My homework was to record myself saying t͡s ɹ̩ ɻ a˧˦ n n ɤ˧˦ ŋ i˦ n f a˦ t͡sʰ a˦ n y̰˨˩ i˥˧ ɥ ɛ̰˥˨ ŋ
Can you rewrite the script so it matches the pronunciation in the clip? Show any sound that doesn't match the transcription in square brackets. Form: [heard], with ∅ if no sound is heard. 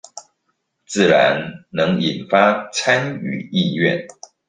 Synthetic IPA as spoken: t͡s ɹ̩ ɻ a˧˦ n n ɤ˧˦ ŋ [i˨˩] n f a˦ t͡sʰ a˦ n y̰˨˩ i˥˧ ɥ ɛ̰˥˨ [n]